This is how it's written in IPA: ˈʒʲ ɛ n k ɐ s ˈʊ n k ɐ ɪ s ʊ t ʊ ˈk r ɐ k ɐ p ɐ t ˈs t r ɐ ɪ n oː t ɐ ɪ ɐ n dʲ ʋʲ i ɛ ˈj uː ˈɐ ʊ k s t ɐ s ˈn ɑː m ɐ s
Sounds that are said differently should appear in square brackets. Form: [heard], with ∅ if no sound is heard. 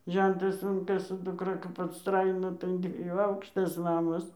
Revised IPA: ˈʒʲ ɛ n [t] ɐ s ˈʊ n k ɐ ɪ s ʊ [d] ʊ ˈk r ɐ k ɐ p ɐ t ˈs t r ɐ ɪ n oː t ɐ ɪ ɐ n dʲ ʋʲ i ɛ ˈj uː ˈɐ ʊ k [ʃ] t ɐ s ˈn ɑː m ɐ s